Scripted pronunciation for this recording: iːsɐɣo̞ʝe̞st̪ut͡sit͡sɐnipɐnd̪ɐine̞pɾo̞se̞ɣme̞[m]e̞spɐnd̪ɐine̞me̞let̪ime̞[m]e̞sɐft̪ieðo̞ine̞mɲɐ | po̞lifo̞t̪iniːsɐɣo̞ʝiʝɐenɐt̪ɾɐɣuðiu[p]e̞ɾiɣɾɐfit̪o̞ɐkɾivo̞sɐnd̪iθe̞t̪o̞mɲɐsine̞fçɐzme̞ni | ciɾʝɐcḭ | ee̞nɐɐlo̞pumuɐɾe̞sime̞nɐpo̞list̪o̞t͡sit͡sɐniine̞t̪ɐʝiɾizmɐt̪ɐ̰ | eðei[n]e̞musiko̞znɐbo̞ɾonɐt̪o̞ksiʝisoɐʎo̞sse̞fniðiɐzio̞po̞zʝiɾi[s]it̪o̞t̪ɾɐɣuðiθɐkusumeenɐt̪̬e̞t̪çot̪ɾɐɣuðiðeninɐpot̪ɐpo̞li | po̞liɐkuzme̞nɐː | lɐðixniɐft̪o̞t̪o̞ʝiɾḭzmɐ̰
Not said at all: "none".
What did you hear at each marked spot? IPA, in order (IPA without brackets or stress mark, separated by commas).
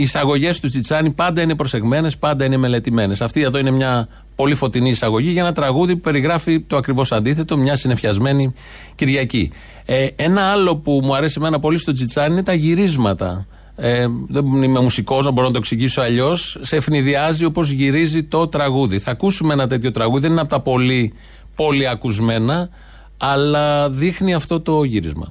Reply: n, n, p, m, z